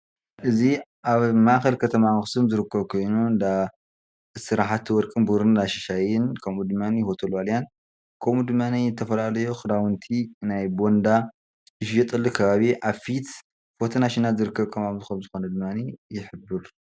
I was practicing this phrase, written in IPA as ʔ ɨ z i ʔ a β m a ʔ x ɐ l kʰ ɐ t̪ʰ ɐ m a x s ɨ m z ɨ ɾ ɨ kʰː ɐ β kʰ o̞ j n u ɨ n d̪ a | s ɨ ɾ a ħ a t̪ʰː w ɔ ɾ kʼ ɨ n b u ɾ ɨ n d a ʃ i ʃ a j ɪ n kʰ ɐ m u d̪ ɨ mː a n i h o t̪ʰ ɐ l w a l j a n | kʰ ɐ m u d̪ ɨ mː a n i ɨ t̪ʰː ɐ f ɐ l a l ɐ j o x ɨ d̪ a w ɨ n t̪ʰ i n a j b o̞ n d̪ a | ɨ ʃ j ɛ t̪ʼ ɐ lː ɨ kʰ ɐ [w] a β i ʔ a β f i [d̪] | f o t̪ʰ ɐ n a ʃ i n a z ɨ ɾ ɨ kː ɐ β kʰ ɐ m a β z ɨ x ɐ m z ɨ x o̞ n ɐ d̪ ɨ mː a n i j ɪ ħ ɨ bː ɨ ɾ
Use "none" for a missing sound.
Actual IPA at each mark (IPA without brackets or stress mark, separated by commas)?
β, t̪